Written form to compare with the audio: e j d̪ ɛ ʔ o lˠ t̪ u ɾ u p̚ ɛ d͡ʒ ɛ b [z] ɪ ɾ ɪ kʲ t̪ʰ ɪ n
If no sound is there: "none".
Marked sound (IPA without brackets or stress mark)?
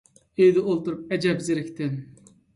z